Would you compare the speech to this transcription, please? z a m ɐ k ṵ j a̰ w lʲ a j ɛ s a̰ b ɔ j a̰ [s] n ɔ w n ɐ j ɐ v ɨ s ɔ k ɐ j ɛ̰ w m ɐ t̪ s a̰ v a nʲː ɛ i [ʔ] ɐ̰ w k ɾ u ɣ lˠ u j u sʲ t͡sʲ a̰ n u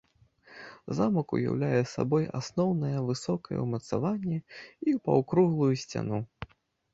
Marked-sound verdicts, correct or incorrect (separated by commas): correct, incorrect